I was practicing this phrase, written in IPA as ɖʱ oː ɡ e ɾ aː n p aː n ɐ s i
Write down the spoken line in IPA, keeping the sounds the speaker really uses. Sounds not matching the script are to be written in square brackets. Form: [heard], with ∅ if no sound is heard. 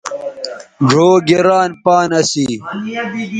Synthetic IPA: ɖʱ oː ɡ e ɾ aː n p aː n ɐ s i